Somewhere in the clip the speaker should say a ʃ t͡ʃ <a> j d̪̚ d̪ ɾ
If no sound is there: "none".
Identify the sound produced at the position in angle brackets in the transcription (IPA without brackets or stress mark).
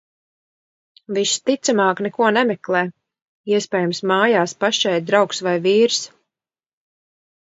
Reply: ɛ